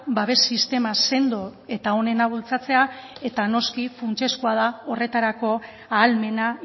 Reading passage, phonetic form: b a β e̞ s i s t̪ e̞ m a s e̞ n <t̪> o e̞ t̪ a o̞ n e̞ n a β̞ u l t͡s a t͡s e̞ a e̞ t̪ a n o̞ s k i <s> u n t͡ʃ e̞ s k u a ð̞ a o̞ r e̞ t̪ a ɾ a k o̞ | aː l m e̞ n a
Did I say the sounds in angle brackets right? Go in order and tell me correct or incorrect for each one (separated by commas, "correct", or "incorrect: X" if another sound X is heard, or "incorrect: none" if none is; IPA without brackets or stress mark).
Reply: incorrect: d̪, incorrect: f